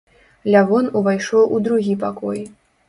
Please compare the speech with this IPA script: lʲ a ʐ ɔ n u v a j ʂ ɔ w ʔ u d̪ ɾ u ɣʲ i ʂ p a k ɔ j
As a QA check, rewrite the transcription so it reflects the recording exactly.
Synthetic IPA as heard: lʲ a v ɔ n u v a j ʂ ɔ w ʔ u d̪ ɾ u ɣʲ i p a k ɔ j